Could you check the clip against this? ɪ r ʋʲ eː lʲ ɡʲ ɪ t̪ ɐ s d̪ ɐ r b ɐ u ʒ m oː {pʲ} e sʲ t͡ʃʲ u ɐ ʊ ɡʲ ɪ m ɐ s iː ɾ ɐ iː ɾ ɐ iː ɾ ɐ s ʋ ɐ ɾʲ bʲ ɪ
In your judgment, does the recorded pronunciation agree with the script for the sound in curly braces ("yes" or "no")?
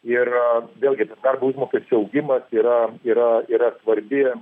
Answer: no